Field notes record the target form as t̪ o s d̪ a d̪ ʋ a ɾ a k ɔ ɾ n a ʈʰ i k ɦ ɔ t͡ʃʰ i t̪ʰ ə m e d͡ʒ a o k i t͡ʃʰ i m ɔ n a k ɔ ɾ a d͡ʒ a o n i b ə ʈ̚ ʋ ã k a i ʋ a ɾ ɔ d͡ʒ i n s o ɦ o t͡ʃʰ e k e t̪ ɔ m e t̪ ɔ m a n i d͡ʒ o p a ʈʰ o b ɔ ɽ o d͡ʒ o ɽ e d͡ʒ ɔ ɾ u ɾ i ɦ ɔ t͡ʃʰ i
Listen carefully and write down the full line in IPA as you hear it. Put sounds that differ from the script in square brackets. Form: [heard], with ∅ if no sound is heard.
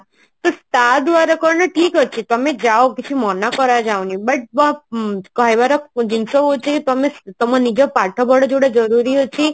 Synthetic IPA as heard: t̪ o s [t̪] a d̪ ʋ a ɾ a k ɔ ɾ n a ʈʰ i k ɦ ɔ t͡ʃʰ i [t̪] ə m e d͡ʒ a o k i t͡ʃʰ i m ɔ n a k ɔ ɾ a d͡ʒ a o n i b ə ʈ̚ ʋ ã k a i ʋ a ɾ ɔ d͡ʒ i n s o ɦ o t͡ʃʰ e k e t̪ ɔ m e t̪ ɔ m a n i d͡ʒ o p a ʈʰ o b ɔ ɽ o d͡ʒ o ɽ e d͡ʒ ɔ ɾ u ɾ i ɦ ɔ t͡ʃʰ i

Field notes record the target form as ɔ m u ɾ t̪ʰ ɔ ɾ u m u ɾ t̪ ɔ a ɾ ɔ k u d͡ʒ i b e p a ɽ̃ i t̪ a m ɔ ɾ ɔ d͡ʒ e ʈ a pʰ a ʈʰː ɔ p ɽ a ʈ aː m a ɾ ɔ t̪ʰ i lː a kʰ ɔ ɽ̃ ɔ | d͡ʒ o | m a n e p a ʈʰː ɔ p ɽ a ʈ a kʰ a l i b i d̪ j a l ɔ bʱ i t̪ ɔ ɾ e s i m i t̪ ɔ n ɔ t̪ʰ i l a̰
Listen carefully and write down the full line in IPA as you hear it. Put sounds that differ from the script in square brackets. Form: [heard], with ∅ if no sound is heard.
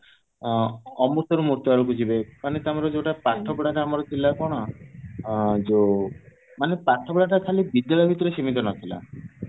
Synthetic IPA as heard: ɔ m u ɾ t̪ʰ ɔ ɾ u m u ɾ t̪ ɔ a ɾ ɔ k u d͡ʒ i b e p a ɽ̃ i t̪ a m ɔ ɾ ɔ d͡ʒ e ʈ a [p] a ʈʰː ɔ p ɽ a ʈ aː m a ɾ ɔ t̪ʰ i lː a [k] ɔ ɽ̃ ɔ | d͡ʒ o | m a n e p a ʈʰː ɔ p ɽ a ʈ a kʰ a l i b i d̪ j a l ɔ bʱ i t̪ ɔ ɾ e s i m i t̪ ɔ n ɔ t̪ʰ i l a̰

